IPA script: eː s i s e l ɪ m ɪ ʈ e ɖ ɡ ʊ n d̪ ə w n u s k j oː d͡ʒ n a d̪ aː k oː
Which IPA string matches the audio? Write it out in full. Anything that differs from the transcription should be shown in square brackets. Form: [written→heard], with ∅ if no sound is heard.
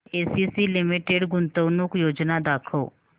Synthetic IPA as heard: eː s i s [e→i] l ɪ m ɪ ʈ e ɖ ɡ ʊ n [d̪→t̪] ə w n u [s→∅] k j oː d͡ʒ n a d̪ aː [k→kʰ] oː

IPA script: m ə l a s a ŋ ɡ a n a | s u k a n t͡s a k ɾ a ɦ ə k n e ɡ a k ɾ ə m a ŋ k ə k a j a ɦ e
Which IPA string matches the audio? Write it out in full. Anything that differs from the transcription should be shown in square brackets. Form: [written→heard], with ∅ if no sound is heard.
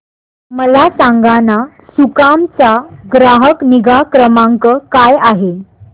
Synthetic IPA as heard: m ə l a s a ŋ ɡ a n a | s u k a [n→m] t͡s a [k→ɡ] ɾ a ɦ ə k n [e→i] ɡ a k ɾ ə m a ŋ k ə k a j a ɦ e

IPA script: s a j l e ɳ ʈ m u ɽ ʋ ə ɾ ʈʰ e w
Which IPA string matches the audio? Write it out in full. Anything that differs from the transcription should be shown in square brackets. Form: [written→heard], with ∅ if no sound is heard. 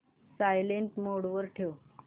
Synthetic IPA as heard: s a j l e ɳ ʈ m [u→o] ɽ ʋ ə ɾ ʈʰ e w

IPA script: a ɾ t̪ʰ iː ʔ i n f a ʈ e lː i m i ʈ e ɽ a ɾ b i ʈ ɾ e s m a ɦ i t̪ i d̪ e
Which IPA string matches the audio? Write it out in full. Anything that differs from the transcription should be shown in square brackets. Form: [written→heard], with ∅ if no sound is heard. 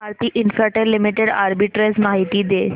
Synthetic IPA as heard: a ɾ [t̪ʰ→t̪] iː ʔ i n f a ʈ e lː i m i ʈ e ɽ a ɾ b i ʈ ɾ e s m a ɦ i t̪ i d̪ e

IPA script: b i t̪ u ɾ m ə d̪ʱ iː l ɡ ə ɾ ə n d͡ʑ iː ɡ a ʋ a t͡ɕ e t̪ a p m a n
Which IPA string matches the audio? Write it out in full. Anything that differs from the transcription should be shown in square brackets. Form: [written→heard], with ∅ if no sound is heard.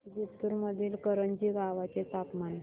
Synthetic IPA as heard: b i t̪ u ɾ m ə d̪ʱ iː l [ɡ→k] ə ɾ ə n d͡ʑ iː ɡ a ʋ a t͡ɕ e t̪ a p m a n

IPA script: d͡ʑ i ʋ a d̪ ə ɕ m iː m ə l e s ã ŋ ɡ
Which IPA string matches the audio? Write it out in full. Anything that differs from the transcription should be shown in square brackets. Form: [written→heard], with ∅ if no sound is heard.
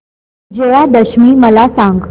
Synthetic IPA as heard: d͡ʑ [i→e] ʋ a d̪ ə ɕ m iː m ə l [e→a] s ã ŋ ɡ

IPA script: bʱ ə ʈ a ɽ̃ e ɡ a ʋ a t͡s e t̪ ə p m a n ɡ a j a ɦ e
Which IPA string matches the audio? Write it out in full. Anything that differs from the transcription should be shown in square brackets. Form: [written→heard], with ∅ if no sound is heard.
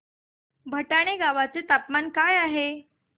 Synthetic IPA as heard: bʱ ə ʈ a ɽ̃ e ɡ a ʋ a t͡s e t̪ [ə→a] p m a n [ɡ→k] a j a ɦ e

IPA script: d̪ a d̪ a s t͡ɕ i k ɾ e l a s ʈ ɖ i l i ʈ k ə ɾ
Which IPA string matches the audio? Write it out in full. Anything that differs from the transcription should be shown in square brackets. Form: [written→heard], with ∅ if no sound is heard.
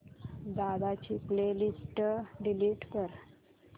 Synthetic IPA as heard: d̪ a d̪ a [s→∅] t͡ɕ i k [ɾ→l] e l [a→i] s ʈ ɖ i l i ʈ k ə ɾ

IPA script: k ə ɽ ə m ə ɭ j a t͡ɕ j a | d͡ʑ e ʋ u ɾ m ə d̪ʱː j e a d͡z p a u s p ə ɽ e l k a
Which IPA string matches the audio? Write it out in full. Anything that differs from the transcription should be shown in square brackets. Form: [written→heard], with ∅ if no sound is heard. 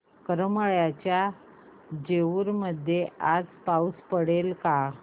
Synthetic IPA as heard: k ə [ɽ→ɾ] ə m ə ɭ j a t͡ɕ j a | d͡ʑ e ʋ u ɾ m ə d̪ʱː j e a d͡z p a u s p ə ɽ e l k a

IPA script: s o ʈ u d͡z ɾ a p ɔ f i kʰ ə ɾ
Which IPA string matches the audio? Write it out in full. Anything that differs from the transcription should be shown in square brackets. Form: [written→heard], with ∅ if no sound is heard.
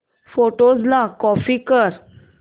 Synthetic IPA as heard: [s→f] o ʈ [u→o] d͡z [ɾ→l] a [p→k] ɔ f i [kʰ→k] ə ɾ

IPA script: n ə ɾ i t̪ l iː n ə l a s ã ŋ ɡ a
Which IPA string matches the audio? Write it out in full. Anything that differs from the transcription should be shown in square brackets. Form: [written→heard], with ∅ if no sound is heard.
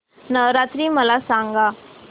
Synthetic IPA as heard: n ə ɾ [i→a] t̪ [l→ɾ] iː [n→m] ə l a s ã ŋ ɡ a

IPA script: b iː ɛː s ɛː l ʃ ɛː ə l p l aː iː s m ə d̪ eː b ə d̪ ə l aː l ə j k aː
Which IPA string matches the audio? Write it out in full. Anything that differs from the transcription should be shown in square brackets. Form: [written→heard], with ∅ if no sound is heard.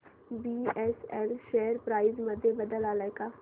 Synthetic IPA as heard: b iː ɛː s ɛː l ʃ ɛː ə [l→ɾ] p [l→ɾ] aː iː [s→z] m ə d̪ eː b ə d̪ ə l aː l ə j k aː

